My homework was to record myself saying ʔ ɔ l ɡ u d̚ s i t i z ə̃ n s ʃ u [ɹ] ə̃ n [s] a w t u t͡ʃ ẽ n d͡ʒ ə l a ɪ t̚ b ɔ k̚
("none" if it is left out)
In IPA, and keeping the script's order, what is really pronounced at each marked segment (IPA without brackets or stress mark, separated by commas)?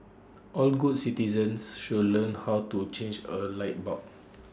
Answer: l, h